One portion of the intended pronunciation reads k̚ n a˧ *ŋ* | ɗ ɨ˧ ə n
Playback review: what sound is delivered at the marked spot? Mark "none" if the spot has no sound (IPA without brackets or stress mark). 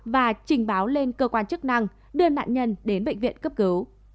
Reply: ŋ